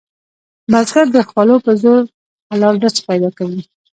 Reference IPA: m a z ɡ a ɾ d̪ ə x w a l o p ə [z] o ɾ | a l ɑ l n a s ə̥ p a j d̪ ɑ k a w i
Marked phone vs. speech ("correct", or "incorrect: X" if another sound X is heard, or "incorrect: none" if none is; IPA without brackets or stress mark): correct